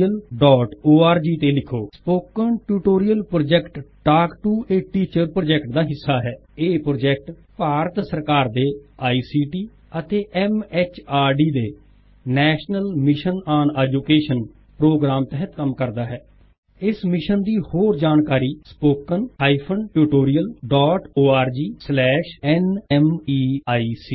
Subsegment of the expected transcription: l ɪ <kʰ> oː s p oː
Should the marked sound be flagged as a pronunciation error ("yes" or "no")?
no